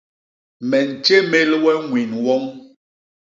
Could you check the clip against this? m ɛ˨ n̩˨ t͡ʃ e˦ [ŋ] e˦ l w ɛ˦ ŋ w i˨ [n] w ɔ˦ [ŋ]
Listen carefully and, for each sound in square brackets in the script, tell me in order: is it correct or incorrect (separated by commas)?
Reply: incorrect, correct, correct